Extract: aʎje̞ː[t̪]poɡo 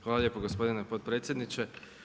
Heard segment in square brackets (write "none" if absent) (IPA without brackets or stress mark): none